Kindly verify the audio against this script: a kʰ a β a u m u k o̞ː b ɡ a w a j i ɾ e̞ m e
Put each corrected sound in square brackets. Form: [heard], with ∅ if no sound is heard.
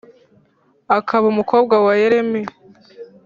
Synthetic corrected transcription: a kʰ a β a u m u k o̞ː b ɡ a w a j [e] ɾ e̞ m e